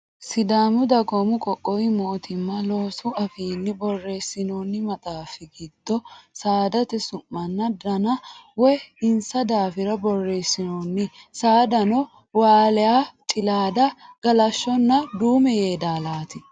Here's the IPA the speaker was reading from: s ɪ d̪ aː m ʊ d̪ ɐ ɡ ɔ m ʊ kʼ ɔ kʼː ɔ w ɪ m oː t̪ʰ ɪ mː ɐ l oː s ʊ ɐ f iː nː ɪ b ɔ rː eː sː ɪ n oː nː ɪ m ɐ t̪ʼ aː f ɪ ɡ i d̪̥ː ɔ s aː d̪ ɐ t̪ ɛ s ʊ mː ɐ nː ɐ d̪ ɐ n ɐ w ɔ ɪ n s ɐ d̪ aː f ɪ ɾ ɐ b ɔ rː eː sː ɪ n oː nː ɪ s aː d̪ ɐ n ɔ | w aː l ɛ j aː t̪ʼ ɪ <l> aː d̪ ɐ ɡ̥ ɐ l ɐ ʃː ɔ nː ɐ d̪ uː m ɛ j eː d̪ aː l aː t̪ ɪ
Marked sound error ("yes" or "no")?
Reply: no